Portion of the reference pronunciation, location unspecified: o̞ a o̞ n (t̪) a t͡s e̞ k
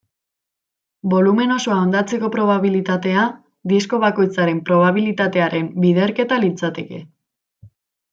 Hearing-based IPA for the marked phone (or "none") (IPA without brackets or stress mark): d̪